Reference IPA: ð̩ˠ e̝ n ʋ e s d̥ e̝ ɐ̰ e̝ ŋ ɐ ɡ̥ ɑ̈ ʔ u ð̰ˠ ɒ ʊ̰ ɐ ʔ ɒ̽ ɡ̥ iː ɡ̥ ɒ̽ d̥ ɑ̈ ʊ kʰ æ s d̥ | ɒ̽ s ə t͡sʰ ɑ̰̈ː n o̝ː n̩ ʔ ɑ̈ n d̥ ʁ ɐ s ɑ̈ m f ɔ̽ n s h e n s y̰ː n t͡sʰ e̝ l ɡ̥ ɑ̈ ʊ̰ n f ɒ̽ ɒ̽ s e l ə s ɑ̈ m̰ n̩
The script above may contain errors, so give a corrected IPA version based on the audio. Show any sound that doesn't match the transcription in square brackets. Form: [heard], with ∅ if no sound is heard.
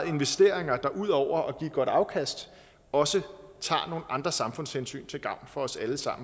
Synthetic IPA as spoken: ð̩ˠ e̝ n ʋ e s d̥ e̝ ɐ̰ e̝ ŋ ɐ [d̥] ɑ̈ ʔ u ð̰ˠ ɒ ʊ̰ ɐ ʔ ɒ̽ ɡ̥ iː ɡ̥ ɒ̽ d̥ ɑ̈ ʊ kʰ æ s d̥ | ɒ̽ s ə t͡sʰ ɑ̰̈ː n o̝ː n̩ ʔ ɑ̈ n d̥ ʁ ɐ s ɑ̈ m f ɔ̽ n s h e n s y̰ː n t͡sʰ e̝ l ɡ̥ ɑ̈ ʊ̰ n f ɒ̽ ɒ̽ s [æ] l ə s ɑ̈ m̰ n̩